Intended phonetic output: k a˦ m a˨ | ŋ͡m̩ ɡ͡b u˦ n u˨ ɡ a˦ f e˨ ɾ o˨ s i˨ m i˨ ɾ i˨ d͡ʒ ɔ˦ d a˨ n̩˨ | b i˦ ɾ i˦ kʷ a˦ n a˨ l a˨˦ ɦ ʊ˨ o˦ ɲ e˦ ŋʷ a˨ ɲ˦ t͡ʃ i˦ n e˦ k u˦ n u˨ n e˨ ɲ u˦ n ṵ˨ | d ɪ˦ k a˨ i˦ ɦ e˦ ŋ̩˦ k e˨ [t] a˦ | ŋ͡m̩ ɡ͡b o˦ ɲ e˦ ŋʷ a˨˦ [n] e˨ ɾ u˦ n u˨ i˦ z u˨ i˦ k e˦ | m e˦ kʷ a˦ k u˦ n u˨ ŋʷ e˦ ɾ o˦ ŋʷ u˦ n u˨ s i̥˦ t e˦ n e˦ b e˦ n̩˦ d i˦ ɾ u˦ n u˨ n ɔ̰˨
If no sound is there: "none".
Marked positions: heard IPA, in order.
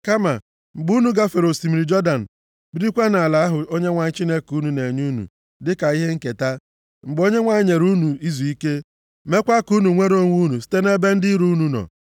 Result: t, ɲ

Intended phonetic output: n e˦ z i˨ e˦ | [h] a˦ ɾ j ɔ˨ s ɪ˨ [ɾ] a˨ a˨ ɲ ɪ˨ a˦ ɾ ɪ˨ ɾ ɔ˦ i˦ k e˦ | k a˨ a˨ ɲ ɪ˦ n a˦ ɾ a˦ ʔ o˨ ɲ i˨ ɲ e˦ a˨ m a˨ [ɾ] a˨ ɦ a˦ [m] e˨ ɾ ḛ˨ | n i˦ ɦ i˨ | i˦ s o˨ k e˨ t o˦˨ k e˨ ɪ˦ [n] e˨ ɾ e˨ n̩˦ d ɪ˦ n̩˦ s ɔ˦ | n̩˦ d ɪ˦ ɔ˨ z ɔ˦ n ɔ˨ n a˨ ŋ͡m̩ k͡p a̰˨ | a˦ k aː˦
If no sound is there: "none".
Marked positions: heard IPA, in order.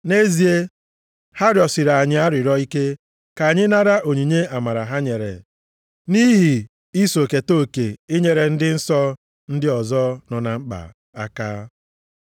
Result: h, ɾ, ɾ, ɲ, ɲ

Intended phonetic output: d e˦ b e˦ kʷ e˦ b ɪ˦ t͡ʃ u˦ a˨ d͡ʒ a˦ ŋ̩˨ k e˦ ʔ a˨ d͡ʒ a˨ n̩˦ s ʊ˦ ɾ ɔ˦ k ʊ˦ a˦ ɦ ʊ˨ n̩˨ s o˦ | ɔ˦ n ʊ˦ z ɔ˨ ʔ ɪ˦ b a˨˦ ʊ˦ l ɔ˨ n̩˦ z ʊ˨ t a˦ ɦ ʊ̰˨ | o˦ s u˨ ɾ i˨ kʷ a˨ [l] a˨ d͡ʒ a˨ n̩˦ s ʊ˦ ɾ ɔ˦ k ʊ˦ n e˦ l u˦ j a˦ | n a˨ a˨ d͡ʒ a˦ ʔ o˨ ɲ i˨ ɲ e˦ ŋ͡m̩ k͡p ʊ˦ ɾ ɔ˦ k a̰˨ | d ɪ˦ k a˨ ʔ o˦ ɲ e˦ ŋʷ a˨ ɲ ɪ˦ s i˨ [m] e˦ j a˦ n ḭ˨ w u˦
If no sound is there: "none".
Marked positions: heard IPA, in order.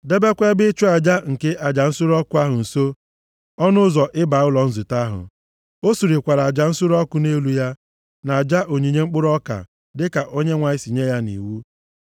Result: ɾ, ɲ

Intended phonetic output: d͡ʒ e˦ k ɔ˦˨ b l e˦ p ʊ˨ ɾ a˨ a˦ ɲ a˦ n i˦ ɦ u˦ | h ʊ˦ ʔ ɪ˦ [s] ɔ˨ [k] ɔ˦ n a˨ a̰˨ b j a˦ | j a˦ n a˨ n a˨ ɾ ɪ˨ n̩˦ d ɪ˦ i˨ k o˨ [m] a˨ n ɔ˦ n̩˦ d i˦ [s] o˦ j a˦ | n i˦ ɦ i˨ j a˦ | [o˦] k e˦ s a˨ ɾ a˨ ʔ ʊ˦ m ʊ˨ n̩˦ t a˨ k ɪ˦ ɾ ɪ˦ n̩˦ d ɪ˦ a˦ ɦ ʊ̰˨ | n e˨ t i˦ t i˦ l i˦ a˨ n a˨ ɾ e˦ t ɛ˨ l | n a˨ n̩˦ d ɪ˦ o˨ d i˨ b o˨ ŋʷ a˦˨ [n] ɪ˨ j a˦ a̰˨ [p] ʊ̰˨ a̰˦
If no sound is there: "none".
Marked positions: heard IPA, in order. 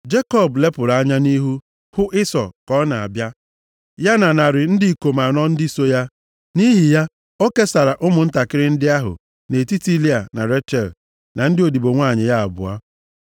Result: s, k, m, s, o˦, ɲ, b

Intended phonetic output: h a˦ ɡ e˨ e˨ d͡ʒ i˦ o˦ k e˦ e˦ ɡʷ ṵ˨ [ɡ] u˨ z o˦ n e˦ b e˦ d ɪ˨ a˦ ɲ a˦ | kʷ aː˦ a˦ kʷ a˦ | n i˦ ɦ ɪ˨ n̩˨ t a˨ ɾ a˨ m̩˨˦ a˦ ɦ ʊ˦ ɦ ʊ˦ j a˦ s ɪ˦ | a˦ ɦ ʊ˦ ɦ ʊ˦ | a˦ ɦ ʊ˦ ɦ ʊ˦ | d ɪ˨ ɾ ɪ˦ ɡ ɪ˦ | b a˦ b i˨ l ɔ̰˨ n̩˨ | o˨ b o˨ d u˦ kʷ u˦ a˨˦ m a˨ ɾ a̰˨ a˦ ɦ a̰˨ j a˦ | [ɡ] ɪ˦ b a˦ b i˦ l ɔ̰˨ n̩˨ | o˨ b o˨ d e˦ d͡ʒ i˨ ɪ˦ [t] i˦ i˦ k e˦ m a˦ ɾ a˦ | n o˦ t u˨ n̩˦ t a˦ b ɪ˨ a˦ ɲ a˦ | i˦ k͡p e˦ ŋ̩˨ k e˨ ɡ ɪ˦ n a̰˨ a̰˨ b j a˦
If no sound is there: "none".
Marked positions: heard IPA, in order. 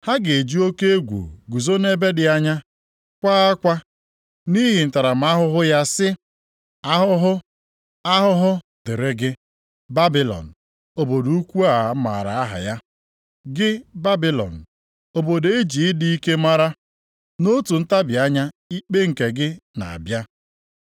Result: ɡ, ɡ, d

